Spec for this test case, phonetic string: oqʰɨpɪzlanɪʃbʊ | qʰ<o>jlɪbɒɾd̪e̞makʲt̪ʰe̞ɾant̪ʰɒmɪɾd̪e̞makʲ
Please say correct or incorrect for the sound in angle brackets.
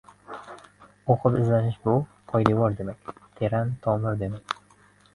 incorrect